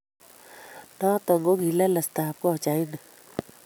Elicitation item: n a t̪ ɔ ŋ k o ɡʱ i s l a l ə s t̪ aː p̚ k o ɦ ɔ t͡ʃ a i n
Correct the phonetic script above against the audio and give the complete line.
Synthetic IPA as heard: n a t̪ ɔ ŋ ɡ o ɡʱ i l a l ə s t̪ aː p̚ k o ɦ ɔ t͡ʃ a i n

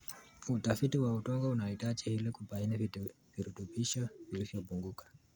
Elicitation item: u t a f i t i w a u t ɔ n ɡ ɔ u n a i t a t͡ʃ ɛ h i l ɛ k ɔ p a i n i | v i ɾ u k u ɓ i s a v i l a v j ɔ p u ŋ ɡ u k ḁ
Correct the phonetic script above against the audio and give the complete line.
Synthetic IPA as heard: u t a f i t i w a u t ɔ ŋ ɡ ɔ u n a i t a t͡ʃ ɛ h i l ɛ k u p a i n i | v i ɾ u t u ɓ i ʃ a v i l i v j ɔ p u ŋ ɡ u k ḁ

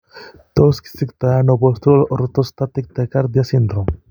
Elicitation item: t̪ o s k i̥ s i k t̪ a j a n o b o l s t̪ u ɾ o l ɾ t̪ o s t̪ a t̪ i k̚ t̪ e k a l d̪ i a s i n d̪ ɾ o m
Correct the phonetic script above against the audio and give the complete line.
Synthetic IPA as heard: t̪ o s k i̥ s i k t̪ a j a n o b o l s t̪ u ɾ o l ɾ t̪ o s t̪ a t̪ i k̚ t̪ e k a ɾ d̪ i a s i n d̪ ɾ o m

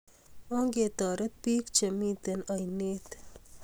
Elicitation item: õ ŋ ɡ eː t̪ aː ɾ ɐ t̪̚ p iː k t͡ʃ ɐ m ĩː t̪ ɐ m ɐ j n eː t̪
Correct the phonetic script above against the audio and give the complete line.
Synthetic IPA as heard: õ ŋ ɡ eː t̪ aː ɾ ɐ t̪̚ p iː k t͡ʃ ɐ m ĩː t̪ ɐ n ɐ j n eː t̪

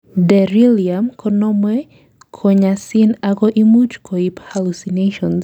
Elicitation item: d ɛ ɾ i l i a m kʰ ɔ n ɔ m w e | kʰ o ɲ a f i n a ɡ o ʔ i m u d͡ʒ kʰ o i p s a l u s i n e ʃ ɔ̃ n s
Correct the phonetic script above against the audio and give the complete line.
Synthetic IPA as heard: d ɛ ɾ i l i a m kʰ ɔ n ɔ m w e | kʰ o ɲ a s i n a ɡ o ʔ i m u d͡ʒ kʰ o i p h a l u s i n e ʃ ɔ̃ n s

